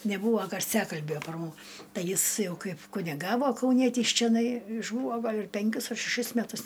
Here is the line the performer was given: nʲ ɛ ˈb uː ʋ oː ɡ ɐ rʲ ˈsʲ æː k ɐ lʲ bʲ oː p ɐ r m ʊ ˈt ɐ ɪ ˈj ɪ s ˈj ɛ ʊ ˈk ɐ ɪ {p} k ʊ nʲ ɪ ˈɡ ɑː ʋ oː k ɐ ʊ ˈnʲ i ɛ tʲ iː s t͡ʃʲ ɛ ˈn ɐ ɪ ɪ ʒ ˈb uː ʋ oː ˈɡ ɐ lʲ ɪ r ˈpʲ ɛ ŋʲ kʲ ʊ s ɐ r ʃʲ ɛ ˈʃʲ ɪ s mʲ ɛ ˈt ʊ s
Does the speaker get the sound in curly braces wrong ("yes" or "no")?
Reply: no